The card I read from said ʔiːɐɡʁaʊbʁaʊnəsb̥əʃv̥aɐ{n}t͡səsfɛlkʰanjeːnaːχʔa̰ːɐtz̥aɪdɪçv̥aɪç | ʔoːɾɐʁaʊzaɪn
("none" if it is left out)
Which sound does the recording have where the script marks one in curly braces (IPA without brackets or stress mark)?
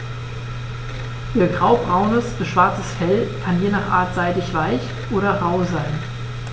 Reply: none